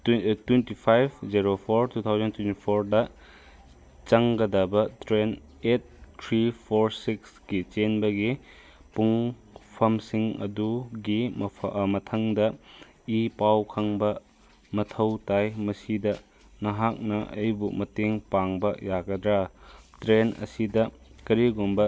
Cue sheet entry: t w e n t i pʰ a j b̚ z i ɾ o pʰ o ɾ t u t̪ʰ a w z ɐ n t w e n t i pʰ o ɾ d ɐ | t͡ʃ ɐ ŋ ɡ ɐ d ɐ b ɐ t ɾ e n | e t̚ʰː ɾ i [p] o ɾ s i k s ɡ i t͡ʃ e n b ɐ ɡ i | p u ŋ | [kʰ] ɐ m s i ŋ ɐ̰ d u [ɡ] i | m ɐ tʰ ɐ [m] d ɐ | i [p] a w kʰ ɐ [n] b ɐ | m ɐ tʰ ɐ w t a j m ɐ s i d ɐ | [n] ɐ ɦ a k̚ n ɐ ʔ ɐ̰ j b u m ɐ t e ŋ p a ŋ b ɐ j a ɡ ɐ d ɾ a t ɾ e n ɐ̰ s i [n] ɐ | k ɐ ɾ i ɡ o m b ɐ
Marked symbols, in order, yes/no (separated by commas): no, no, yes, no, yes, no, yes, no